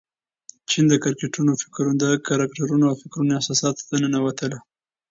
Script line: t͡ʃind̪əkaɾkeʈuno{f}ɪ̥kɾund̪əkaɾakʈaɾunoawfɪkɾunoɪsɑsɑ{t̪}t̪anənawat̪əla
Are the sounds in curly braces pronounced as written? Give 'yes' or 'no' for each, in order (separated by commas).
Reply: yes, yes